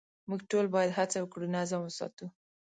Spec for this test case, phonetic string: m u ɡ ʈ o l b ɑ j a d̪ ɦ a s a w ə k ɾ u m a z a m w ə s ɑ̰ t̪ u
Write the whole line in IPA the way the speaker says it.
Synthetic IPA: m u ɡ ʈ o l b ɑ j a d̪ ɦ a t͡s a w ə k ɽ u n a z a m w ə s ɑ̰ t̪ u